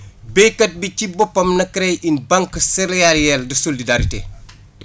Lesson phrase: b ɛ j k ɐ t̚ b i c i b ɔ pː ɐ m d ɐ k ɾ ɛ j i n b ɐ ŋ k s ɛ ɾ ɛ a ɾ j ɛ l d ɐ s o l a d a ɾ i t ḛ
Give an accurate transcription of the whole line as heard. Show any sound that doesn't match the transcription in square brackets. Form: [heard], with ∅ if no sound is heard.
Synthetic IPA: b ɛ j k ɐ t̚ b i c i b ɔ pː ɐ m [n] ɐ k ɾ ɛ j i n b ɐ ŋ k s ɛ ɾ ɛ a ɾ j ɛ l d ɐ s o l [i] d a ɾ i t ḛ